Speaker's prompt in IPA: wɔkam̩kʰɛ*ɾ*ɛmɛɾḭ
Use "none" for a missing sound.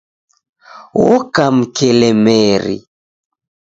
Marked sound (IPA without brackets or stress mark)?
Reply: l